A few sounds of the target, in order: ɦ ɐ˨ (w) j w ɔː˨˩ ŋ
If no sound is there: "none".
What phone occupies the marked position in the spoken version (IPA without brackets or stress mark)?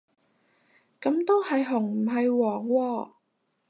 none